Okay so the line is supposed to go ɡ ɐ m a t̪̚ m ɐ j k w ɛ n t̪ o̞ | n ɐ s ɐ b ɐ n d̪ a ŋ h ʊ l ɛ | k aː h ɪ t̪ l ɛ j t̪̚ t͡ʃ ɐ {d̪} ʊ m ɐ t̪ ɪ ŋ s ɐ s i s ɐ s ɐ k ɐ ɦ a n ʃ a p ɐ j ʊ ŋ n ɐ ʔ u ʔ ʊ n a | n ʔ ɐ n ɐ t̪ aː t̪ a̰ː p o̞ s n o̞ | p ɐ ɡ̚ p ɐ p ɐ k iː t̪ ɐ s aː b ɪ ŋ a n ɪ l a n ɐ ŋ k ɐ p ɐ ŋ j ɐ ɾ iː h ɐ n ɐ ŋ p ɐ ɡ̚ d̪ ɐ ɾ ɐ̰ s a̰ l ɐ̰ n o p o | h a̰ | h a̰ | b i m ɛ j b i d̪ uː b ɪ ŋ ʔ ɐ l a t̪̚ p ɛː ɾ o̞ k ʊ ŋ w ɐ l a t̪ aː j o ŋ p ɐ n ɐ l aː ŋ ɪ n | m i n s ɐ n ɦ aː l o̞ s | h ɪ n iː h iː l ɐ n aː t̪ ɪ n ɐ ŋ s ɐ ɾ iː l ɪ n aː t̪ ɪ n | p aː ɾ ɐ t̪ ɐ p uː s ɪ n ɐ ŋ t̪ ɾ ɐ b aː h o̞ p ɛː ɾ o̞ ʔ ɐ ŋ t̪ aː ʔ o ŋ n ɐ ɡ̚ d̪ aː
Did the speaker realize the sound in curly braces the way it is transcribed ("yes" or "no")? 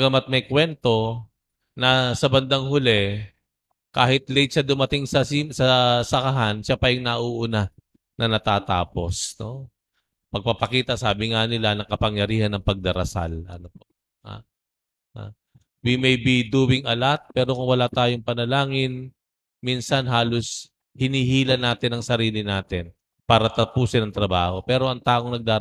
yes